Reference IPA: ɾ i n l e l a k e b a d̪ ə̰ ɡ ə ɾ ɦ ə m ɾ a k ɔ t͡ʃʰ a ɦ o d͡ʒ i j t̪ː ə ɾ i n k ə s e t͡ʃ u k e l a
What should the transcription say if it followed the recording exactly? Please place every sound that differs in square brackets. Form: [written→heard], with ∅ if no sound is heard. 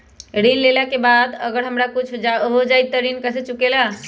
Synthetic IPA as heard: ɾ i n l e l a k e b a d̪ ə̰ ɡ ə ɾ ɦ ə m ɾ a k [ɔ→u] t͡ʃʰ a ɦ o d͡ʒ [i→a] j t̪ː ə ɾ i n k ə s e t͡ʃ u k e l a